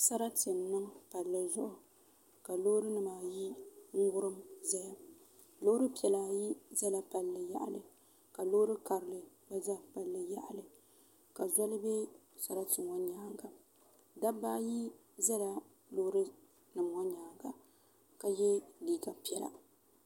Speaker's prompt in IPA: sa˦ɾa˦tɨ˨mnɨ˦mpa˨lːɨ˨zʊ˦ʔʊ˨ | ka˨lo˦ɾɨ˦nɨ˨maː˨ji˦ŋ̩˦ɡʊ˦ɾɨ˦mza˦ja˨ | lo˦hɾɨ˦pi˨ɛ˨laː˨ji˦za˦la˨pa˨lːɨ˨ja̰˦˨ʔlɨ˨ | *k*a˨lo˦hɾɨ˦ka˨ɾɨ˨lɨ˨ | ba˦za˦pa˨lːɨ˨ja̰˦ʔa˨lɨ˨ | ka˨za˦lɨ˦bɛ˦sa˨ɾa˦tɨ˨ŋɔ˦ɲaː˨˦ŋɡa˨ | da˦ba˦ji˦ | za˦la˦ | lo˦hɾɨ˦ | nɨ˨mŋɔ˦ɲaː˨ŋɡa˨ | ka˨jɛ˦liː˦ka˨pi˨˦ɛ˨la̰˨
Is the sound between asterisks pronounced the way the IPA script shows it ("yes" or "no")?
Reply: yes